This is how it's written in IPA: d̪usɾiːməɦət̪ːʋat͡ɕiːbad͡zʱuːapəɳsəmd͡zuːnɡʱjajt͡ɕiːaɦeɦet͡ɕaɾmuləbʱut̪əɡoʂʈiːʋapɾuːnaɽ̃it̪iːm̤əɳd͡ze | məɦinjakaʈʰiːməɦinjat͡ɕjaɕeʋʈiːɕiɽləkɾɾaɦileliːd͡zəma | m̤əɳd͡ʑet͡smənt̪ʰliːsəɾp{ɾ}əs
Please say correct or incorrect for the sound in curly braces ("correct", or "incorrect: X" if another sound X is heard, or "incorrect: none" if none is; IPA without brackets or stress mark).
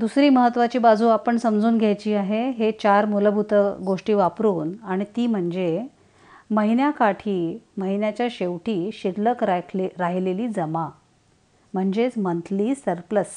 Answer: incorrect: l